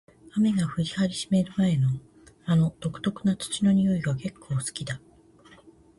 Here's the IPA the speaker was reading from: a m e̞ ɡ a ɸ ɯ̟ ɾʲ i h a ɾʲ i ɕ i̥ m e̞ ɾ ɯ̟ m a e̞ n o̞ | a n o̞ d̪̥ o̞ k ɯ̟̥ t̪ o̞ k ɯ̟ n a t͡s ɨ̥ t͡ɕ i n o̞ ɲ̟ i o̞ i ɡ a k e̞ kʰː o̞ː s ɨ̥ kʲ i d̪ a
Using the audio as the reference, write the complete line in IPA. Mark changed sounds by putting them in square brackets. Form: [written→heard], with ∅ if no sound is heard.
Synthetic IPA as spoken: a m e̞ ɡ a ɸ ɯ̟ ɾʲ i h a ɾʲ i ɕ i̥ m e̞ ɾ ɯ̟ m a e̞ n o̞ | a n o̞ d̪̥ o̞ k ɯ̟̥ t̪ o̞ k ɯ̟ n a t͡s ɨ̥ t͡ɕ i n o̞ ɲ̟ i o̞ i ɡ a k e̞ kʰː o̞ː s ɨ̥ kʲ i d̪ a